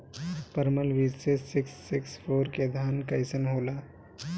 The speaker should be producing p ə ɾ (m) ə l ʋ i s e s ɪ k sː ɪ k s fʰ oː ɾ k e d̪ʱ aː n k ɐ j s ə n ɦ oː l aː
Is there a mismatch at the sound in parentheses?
no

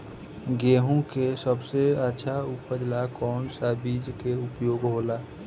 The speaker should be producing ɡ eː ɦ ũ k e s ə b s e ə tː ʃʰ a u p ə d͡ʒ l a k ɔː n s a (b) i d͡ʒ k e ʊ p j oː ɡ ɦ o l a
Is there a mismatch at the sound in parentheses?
no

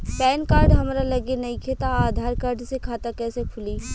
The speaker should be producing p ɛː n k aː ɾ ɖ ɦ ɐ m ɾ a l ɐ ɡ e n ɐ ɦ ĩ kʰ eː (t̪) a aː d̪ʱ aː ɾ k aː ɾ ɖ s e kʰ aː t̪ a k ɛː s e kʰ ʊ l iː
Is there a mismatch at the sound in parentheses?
no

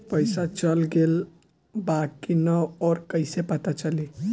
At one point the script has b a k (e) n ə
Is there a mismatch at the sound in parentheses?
yes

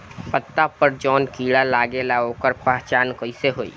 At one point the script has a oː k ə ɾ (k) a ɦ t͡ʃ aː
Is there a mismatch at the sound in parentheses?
yes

